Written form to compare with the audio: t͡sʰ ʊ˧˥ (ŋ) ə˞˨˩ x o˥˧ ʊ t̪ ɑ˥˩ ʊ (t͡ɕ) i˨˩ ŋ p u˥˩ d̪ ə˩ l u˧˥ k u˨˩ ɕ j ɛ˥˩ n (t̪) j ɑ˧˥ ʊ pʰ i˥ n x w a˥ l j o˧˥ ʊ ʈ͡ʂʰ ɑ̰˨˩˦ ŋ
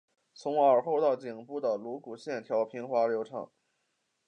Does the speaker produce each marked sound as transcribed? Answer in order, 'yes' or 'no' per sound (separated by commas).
yes, yes, no